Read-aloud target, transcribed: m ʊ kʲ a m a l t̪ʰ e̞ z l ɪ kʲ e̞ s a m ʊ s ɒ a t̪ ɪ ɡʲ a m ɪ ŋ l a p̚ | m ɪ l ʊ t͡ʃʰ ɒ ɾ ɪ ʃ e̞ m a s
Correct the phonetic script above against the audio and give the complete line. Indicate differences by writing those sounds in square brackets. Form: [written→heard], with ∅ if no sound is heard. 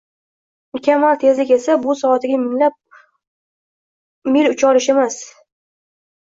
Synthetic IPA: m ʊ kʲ a m a l t̪ʰ e̞ z l ɪ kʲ e̞ s a [m→b] ʊ s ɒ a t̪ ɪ ɡʲ a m ɪ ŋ l a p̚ | m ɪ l ʊ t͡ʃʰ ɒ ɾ ɪ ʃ e̞ m a s